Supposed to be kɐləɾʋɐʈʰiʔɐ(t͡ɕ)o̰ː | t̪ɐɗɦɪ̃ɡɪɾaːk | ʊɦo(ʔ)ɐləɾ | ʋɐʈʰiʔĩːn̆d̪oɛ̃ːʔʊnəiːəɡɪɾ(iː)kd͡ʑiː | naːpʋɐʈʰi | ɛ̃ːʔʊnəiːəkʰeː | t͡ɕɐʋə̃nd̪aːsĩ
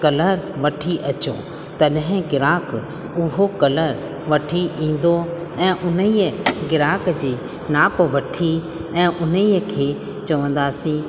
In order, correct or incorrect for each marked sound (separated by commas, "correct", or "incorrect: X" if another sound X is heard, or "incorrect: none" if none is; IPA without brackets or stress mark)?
correct, incorrect: k, incorrect: aː